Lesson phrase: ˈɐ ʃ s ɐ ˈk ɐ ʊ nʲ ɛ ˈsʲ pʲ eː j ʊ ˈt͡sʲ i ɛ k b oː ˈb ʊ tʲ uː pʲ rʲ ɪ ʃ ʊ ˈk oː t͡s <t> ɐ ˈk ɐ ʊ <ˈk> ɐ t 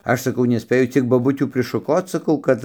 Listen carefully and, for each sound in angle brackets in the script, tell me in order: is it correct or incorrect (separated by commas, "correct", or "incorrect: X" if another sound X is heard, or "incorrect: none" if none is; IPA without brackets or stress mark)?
incorrect: s, correct